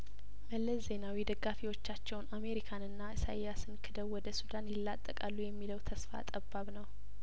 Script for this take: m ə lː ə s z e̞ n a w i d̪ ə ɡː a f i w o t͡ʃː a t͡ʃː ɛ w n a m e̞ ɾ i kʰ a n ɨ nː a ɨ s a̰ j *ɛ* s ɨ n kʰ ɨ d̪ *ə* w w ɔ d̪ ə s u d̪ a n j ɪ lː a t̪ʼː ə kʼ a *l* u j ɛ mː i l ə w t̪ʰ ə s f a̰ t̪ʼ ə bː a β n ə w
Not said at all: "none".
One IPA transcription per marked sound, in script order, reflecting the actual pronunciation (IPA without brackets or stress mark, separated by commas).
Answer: a, ə, lː